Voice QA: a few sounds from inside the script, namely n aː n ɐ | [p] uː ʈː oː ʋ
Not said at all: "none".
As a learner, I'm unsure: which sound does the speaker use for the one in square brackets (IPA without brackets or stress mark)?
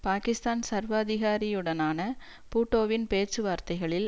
p